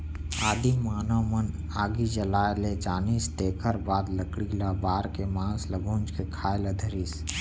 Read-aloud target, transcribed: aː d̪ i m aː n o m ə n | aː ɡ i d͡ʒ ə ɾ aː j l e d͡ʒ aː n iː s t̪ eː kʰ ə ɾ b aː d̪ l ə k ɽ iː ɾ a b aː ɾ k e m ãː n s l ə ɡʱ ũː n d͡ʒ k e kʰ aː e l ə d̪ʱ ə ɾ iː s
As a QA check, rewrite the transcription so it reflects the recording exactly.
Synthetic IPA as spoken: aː d̪ i m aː n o m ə n | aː ɡ i d͡ʒ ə l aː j l e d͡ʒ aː n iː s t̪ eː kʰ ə ɾ b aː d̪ l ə k ɽ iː l a b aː ɾ k e m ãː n s l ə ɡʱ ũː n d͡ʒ k e kʰ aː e l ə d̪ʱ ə ɾ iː s